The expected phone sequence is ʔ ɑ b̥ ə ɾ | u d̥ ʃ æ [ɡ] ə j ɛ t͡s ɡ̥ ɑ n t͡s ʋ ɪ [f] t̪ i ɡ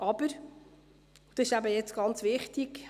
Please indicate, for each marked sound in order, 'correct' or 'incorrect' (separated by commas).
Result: incorrect, incorrect